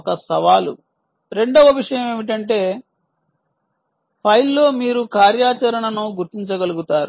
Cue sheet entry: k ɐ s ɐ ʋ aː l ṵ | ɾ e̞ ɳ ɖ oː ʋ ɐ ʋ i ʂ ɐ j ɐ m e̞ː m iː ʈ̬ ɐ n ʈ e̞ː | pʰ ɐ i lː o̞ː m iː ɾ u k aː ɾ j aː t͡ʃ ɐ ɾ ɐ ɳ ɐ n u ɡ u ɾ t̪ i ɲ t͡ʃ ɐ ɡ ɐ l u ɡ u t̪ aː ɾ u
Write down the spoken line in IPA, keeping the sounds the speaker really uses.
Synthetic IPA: k ɐ s ɐ ʋ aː l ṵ | ɾ e̞ ɳ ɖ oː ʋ ɐ ʋ i ʂ ɐ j ɐ m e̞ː m i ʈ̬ ɐ ɳ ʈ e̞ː | pʰ ɐ j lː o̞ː m iː ɾ u k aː ɾ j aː t͡ʃ ɐ ɾ ɐ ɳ ɐ n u ɡ u ɾ t̪ i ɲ t͡ʃ ɐ ɡ ɐ l u ɡ u t̪ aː ɾ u

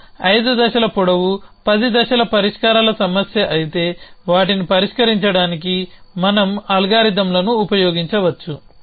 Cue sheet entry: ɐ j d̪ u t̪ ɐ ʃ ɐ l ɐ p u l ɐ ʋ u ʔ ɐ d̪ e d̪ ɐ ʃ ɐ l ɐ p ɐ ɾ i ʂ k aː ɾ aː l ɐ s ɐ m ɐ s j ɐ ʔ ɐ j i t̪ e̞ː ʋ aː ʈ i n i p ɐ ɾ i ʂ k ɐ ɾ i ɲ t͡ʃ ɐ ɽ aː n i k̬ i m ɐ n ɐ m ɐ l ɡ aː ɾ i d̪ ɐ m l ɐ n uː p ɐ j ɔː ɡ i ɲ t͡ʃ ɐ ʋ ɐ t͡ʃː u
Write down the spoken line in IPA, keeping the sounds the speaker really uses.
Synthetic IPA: ɐ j d̪ u d̪ ɐ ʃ ɐ l ɐ p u ɽ ɐ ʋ u p ɐ d̪ i d̪ ɐ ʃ ɐ l ɐ p ɐ ɾ i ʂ k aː ɾ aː l ɐ s ɐ m ɐ s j ɐ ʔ ɐ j i t̪ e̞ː ʋ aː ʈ i n i p ɐ ɾ i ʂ k ɐ ɾ i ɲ t͡ʃ ɐ ɽ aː n i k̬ i m ɐ n ɐ m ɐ l ɡ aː ɾ i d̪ ɐ m l ɐ n uː p ɐ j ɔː ɡ i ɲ t͡ʃ ɐ ʋ ɐ t͡ʃː u

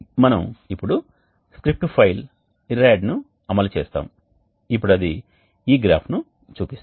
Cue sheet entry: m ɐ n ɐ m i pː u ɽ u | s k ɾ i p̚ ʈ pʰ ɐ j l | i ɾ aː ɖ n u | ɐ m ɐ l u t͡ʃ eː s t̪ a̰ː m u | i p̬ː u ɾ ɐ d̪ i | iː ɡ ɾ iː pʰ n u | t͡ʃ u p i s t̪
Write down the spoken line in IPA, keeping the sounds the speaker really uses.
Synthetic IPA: m ɐ n ɐ m i pː u ɽ u | s k ɾ i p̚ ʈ pʰ ɐ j l | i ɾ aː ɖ n u | ɐ m ɐ l u t͡ʃ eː s t̪ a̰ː m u | i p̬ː u ɽ ɐ d̪ i | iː ɡ ɾ aː pʰ n u | t͡ʃ uː p i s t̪

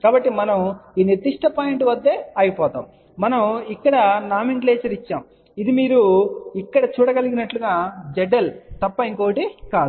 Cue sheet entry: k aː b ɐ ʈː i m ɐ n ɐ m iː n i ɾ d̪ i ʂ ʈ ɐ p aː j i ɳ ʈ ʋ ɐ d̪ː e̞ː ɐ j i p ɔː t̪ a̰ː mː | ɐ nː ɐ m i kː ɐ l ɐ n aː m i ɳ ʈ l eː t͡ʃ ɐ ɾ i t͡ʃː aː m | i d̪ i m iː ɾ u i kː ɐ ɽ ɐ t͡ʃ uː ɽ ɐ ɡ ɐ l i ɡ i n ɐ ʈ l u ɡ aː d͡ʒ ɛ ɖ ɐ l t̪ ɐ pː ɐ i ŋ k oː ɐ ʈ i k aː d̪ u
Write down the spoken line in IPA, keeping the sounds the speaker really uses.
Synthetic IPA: k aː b ɐ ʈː i m ɐ n ɐ m iː n i ɾ d̪ i ʂ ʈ ɐ p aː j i ɳ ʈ ʋ ɐ d̪ː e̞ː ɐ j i p ɔː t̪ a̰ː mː | ɐ n ɐ m i kː ɐ ɽ ɐ n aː m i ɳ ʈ l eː t͡ʃ ɐ ɾ i t͡ʃː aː m | i d̪ i m iː ɾ u i kː ɐ ɽ ɐ t͡ʃ uː ɽ ɐ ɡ ɐ l i ɡ i n ɐ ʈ l u ɡ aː d͡ʒ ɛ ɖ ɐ l t̪ ɐ pː ɐ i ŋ k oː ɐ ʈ i k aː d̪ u

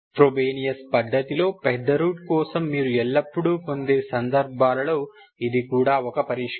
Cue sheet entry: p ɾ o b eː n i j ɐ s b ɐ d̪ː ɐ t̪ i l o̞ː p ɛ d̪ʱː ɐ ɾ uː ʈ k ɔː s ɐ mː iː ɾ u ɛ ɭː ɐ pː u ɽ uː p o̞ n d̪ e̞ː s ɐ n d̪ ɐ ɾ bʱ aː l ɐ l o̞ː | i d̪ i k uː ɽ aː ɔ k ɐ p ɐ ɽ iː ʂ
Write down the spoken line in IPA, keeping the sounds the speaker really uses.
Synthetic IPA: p ɾ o b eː n i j ɐ s p ɐ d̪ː ɐ t̪ i l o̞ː p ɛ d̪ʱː ɐ ɾ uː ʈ k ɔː s ɐ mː iː ɾ u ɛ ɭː ɐ pː u ɽ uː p o̞ n d̪ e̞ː s ɐ n d̪ ɐ ɾ bʱ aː l ɐ l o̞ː | i d̪ i k uː ɽ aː ɔ k ɐ p ɐ ɾ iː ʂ

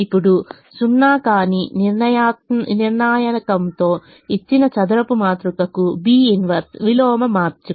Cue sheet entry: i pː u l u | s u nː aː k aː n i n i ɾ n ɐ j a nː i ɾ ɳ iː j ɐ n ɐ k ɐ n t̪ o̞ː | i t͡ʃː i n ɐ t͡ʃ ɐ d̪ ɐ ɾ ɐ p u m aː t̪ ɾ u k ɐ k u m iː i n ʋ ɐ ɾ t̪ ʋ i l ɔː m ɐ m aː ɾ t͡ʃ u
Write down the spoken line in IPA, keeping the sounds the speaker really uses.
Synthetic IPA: i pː u ɽ u | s u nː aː k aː n i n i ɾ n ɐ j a n i ɾ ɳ aː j ɐ n ɐ k ɐ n t̪ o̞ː | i t͡ʃː i n ɐ t͡ʃ ɐ d̪ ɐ ɾ ɐ p u m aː t̪ ɾ u k ɐ k u b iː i n ʋ ɐ ɾ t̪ ʋ i l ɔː m ɐ m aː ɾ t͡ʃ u

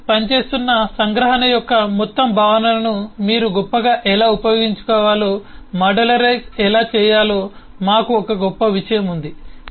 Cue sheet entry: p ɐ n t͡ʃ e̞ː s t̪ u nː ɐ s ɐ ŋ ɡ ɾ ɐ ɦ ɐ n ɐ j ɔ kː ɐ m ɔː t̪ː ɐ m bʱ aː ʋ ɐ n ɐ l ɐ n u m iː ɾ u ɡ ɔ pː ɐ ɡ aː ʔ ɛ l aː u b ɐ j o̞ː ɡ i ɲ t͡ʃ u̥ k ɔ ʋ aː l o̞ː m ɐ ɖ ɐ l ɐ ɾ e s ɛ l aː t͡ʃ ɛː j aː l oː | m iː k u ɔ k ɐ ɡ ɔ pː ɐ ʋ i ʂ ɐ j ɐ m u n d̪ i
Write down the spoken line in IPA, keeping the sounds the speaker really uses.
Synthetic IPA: p ɐ n t͡ʃ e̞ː s t̪ u nː ɐ s ɐ ŋ ɡ ɾ ɐ ɦ ɐ n ɐ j ɔ kː ɐ m ɔ t̪ː ɐ m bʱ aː ʋ ɐ n ɐ l ɐ n u m iː ɾ u ɡ ɔ pː ɐ ɡ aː ʔ ɛ l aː u p ɐ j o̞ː ɡ i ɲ t͡ʃ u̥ k ɔː ʋ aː l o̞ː m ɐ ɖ ɐ l ɐ ɾ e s ɛ l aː t͡ʃ ɛː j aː l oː | m aː k u ɔ k ɐ ɡ ɔ pː ɐ ʋ i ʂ ɐ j ɐ m u n d̪ i

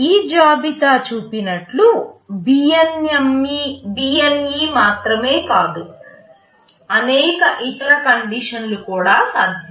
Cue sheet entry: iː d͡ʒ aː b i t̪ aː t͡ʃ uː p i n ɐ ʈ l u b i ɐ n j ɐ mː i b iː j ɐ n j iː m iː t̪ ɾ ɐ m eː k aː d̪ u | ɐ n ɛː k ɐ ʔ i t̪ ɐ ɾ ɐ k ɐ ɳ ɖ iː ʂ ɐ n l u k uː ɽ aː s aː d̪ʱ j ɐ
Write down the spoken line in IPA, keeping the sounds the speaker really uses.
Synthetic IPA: iː d͡ʒ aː b i t̪ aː t͡ʃ uː p i n ɐ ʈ l u b i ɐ n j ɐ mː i b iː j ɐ n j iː m aː t̪ ɾ ɐ m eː k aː d̪ u | ɐ n ɛː k ɐ ʔ i t̪ ɐ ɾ ɐ k ɐ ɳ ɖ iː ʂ ɐ n l u k uː ɽ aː s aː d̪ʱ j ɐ

